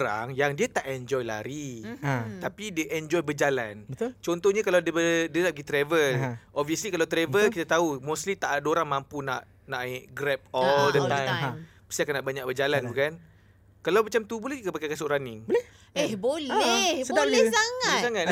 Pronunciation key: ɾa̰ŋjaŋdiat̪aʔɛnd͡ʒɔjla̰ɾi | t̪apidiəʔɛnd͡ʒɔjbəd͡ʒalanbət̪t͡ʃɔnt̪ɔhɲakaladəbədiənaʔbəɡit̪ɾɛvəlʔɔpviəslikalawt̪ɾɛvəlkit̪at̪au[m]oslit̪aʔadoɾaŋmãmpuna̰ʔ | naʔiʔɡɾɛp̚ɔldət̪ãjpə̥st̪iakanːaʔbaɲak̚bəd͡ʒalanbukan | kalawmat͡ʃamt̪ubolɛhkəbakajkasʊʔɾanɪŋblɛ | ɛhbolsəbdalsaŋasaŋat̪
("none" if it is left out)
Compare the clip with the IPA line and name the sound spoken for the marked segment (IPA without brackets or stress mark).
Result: m